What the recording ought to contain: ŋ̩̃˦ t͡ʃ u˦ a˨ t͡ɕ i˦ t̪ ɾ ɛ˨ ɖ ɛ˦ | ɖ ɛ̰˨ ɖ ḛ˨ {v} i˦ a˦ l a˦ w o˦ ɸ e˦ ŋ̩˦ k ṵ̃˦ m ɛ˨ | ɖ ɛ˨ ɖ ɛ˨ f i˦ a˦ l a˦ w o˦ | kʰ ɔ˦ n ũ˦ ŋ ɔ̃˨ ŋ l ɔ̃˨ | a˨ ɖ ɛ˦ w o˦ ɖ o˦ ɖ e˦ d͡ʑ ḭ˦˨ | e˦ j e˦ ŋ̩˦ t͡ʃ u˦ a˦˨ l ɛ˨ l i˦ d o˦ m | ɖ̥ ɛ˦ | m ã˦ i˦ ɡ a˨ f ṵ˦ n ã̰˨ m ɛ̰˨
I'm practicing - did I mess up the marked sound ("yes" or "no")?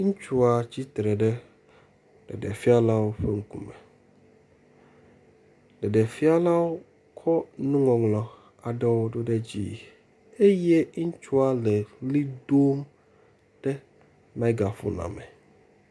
yes